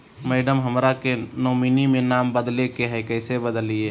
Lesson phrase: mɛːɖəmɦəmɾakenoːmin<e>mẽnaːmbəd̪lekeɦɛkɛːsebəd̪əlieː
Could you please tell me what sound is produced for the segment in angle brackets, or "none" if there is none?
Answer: i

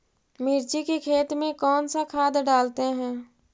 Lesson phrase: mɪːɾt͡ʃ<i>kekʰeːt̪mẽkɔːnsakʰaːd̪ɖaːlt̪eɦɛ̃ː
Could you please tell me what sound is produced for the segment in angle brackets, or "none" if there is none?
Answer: i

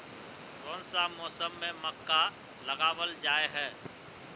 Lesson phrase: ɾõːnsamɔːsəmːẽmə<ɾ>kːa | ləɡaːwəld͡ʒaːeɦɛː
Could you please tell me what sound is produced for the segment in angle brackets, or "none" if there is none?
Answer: none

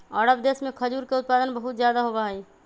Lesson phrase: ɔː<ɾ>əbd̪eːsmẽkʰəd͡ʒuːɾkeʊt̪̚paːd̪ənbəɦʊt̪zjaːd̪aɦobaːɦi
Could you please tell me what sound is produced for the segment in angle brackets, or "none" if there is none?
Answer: ɾ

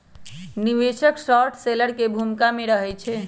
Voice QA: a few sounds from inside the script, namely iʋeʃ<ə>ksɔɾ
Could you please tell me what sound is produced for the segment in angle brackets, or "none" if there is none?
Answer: ə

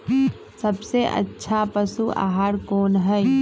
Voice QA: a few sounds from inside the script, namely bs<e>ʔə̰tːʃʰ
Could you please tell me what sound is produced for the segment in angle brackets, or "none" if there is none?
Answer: e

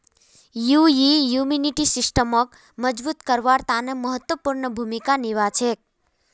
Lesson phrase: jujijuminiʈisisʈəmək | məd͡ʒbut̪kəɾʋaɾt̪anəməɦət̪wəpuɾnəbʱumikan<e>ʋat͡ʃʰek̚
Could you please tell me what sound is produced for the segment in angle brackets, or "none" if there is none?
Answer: i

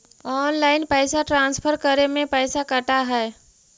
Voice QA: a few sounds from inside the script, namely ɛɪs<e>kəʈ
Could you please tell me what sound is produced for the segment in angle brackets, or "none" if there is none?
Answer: a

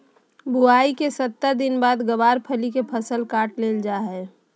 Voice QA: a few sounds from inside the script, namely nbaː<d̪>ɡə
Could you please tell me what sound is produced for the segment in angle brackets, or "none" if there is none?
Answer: d̪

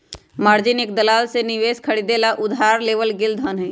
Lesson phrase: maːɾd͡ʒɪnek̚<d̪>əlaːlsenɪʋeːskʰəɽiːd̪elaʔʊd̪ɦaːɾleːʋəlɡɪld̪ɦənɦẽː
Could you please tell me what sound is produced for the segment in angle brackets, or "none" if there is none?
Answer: d̪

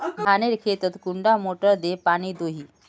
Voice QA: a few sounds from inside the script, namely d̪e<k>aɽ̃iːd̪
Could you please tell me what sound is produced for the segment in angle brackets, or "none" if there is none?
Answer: p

